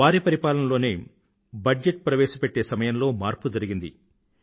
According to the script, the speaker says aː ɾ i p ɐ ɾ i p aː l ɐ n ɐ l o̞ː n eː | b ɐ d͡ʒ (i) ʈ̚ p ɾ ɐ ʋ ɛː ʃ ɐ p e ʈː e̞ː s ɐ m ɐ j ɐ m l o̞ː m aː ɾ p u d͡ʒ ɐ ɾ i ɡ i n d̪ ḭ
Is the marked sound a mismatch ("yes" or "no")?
yes